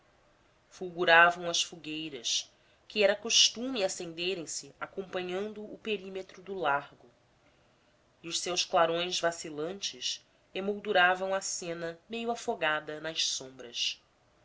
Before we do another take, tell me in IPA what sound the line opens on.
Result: f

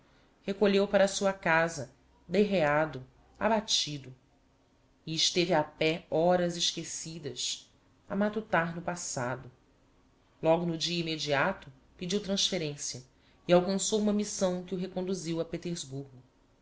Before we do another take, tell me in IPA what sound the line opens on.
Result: h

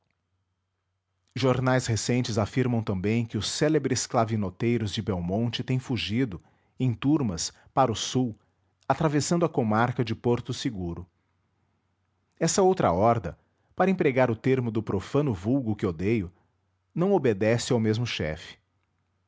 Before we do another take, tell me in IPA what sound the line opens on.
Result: ʒ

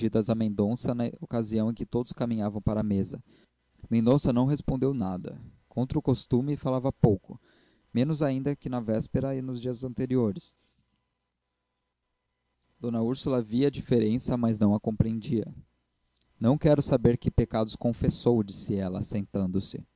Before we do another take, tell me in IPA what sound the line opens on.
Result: i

